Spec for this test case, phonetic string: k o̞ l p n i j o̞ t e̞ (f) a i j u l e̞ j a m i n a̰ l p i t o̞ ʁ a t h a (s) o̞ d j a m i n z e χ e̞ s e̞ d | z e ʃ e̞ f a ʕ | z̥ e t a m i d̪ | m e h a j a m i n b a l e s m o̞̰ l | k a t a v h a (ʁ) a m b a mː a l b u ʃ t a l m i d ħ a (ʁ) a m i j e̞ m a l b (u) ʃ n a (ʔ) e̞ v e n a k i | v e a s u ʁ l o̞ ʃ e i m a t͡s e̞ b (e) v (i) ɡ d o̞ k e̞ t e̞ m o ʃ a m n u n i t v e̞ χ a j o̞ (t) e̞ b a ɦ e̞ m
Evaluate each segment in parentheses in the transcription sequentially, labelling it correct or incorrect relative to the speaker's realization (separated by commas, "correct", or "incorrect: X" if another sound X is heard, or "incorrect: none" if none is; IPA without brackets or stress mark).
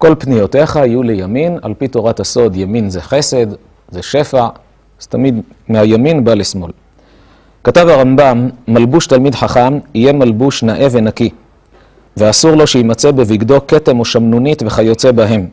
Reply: incorrect: χ, correct, correct, incorrect: χ, correct, correct, correct, correct, incorrect: t͡s